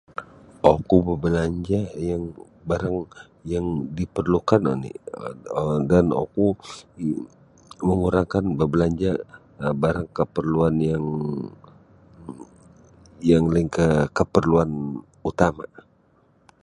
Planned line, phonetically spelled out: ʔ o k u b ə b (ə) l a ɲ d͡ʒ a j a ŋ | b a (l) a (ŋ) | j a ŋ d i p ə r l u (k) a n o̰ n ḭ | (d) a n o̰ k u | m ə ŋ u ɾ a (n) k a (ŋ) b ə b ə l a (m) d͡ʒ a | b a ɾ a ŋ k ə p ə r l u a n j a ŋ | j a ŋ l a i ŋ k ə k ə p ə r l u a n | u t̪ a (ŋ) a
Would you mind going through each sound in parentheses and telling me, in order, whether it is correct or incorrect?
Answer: correct, incorrect: ɾ, correct, correct, correct, incorrect: ŋ, incorrect: n, incorrect: ɲ, incorrect: m

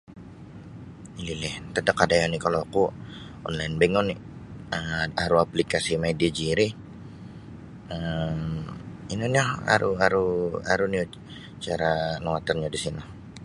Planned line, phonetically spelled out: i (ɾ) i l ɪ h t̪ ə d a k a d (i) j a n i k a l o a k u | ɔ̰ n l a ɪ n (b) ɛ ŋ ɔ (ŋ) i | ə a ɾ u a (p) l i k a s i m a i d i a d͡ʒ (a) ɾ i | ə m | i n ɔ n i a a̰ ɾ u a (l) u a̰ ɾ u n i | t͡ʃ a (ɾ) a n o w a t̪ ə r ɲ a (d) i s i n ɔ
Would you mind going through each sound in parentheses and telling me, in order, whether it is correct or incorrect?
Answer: incorrect: l, incorrect: a, correct, incorrect: n, correct, incorrect: i, incorrect: ɾ, correct, correct

